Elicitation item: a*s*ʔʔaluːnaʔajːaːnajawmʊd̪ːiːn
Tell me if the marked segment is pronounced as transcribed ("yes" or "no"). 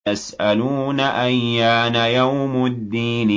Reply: yes